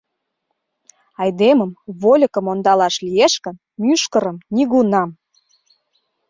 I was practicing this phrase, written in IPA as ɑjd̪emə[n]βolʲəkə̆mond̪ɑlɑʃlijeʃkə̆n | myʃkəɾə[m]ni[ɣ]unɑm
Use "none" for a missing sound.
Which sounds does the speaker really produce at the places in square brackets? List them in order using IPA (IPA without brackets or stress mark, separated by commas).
m, m, ɣ